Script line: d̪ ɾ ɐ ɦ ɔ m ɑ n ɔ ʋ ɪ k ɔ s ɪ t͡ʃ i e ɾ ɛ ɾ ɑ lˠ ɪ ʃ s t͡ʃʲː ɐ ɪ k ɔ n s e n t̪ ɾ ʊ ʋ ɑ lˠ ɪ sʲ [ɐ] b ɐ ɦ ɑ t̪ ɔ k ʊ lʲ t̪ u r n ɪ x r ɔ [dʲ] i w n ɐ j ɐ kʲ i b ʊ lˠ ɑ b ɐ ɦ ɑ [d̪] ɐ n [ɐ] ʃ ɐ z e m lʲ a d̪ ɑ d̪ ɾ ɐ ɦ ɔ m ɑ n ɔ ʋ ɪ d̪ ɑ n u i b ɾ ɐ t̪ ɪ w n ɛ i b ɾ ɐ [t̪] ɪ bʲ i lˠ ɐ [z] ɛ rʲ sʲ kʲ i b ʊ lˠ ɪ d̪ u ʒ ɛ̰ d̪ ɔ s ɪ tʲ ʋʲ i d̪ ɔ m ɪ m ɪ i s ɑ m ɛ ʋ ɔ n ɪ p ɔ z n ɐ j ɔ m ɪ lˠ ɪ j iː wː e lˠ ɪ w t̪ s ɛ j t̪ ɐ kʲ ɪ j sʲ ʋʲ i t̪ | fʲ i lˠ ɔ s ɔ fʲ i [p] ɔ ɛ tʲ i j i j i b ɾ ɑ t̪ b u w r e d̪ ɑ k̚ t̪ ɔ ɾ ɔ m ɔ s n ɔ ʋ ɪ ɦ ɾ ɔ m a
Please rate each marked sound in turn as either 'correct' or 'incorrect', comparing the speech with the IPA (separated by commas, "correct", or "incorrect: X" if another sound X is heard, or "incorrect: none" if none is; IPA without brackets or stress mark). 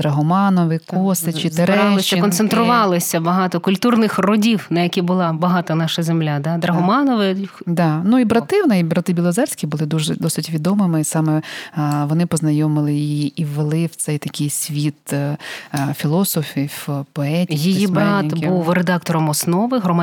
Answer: correct, correct, incorrect: t̪, incorrect: ɑ, correct, correct, correct